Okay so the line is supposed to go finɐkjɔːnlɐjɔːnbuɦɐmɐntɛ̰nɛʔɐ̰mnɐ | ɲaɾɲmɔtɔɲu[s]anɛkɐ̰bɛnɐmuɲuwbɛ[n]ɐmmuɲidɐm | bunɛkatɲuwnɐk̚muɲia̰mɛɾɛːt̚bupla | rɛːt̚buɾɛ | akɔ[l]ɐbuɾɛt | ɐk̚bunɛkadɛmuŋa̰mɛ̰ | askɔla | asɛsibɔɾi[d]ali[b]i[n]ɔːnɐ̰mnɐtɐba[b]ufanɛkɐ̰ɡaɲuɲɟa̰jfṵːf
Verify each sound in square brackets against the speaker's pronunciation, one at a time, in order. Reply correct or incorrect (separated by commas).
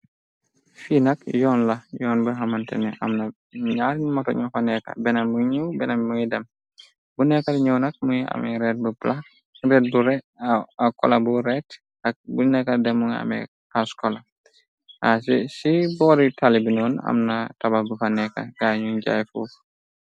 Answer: incorrect, correct, correct, incorrect, correct, correct, correct